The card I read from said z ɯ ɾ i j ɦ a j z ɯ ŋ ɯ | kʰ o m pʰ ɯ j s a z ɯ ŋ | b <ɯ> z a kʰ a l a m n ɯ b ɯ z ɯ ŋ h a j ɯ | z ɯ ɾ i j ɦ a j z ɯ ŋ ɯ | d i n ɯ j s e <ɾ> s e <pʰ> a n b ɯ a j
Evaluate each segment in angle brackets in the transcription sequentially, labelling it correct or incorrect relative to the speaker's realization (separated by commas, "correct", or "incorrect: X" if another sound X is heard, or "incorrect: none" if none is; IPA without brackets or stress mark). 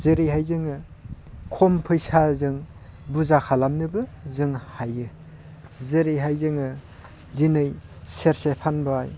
incorrect: u, correct, correct